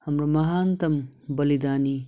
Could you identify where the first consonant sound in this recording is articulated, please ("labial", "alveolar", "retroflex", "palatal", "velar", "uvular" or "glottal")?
glottal